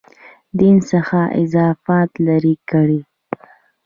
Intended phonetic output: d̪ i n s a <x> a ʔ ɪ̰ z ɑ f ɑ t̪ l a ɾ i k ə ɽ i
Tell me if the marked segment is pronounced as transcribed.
yes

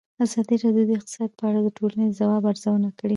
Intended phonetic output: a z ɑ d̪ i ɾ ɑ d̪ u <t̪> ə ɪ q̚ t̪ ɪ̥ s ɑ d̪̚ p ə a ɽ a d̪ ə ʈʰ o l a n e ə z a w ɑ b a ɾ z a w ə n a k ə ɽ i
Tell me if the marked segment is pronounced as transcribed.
no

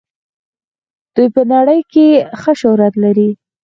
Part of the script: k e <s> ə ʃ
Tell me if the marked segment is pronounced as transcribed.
no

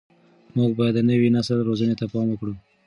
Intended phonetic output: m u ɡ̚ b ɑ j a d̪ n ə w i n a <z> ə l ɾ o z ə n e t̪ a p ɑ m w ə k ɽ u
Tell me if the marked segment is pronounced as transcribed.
no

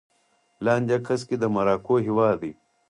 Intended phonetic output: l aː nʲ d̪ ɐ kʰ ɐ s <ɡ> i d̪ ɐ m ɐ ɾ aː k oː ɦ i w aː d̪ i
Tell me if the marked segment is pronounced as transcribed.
no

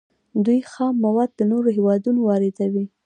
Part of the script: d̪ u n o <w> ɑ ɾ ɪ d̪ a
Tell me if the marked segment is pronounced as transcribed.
yes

